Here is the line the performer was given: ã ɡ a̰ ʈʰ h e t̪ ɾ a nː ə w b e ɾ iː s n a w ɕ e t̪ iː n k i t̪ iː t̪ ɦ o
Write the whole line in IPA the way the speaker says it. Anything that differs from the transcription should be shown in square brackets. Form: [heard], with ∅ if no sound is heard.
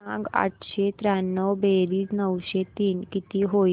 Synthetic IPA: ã ɡ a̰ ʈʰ [ɕ] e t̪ ɾ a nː ə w b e ɾ iː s n [ə] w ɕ e t̪ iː n k i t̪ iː [∅] ɦ o